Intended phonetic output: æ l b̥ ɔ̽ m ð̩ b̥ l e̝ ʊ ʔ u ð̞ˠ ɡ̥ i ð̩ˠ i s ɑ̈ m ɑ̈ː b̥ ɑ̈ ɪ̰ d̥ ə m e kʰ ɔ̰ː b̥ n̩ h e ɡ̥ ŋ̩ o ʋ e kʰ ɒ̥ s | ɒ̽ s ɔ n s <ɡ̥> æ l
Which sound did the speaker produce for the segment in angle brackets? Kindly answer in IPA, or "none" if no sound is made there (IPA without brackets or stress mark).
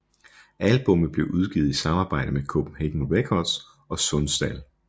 d̥